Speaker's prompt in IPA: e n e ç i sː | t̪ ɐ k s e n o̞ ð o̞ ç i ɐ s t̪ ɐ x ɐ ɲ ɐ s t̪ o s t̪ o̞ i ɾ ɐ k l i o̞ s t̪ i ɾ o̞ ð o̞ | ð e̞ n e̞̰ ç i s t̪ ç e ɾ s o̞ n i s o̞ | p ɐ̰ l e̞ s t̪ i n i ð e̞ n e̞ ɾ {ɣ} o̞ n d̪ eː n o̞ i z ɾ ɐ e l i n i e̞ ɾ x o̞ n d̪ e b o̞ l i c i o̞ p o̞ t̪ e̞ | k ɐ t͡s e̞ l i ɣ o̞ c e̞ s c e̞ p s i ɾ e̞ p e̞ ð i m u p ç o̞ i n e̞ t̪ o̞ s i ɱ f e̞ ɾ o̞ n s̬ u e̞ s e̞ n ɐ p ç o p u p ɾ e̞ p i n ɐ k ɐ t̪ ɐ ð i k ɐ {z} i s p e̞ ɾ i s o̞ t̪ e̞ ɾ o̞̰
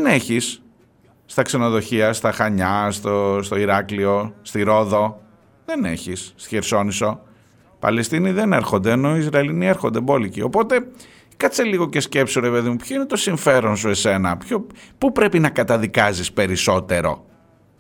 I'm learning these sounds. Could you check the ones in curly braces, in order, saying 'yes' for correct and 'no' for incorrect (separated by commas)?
no, yes